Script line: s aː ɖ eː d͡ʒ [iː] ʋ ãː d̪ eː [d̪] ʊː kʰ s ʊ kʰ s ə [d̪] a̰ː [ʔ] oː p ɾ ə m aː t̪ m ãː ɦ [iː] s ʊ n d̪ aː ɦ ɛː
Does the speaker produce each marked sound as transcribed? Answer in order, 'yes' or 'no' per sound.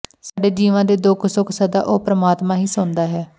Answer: yes, yes, yes, yes, yes

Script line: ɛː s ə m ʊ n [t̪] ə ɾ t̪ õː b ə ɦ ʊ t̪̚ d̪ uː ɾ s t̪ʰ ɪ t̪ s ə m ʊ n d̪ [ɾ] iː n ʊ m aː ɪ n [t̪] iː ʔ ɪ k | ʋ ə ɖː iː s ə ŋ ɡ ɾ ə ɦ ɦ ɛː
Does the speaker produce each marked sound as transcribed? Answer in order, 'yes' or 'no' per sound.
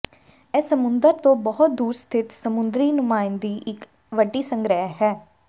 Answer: no, yes, no

